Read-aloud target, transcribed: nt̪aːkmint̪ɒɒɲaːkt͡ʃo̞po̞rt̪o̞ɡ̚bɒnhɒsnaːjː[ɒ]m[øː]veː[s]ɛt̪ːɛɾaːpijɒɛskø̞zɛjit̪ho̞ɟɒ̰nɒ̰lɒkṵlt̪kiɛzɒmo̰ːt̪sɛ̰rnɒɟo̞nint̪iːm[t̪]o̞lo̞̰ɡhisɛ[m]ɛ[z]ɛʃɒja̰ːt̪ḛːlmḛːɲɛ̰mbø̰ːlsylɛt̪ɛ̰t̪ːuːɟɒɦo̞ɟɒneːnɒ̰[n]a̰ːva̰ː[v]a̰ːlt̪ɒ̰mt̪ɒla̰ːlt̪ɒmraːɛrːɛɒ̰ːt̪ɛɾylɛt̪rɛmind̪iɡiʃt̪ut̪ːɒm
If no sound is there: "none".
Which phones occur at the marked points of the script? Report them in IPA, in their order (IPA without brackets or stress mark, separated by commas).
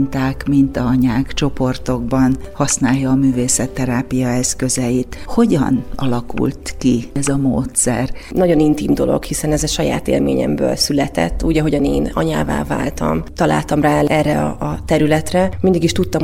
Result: ɒː, yː, s, d̪, n, z, ɲ, v